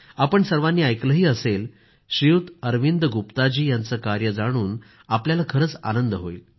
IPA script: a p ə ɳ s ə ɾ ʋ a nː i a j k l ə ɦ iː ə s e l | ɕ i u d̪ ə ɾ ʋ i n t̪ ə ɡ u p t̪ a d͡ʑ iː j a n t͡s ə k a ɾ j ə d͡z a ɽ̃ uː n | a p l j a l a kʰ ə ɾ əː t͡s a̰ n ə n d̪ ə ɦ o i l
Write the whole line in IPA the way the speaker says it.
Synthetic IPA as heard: a p ə ɳ s ə ɾ ʋ a nː iː a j k l ə ɦ iː ə s e l | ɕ i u t̪ ə ɾ ʋ i n d̪ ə ɡ u p t̪ a d͡ʑ iː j a n t͡s ə k a ɾ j ə d͡z a ɽ̃ uː n | a p l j a l a kʰ ə ɾ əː t͡s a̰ n ə n d̪ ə ɦ o i l